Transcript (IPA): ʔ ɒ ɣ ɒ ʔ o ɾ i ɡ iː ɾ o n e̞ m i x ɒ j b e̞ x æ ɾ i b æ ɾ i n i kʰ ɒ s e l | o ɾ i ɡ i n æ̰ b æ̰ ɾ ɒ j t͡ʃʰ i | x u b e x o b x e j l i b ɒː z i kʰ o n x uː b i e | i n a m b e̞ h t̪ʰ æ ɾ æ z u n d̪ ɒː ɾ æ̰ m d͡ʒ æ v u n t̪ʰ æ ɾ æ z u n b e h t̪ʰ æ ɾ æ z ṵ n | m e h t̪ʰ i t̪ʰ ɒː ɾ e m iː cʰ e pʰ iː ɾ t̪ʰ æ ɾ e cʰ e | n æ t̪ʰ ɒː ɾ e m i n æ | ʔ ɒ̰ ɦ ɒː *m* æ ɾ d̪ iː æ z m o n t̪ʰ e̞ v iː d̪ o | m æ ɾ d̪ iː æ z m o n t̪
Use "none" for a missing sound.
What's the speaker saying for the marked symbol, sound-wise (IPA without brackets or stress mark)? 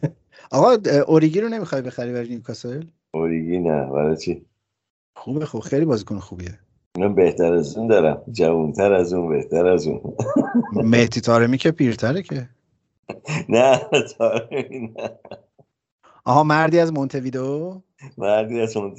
m